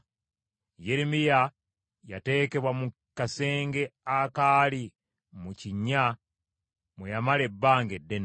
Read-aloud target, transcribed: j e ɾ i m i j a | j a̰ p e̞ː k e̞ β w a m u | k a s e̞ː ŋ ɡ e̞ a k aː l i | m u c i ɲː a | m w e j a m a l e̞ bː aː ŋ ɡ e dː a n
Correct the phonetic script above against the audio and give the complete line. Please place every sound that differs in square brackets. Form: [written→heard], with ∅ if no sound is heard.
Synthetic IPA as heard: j e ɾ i m i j a | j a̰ [p→t] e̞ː k e̞ β w a m u | k a s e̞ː ŋ ɡ e̞ a k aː l i | m u c i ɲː a | m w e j a m a l e̞ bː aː ŋ ɡ e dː [a→e] n